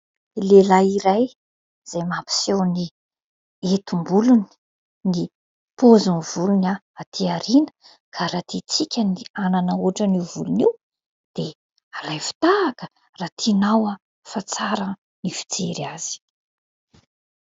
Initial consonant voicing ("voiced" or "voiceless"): voiced